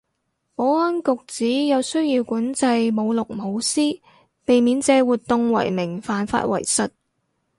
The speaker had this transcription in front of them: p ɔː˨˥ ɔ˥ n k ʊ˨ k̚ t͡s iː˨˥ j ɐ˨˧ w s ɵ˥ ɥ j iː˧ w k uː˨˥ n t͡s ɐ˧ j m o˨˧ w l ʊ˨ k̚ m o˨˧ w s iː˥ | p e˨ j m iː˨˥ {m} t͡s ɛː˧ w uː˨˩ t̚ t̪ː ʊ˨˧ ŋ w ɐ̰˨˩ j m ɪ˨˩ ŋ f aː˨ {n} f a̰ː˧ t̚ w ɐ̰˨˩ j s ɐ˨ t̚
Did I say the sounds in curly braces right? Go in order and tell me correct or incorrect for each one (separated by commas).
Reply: incorrect, correct